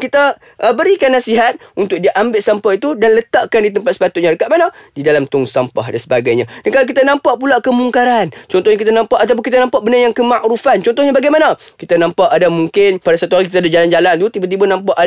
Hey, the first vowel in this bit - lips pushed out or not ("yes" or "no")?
no